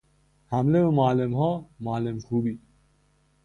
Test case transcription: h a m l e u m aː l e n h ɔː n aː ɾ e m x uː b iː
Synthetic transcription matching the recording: h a m l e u m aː l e m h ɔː m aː l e m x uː b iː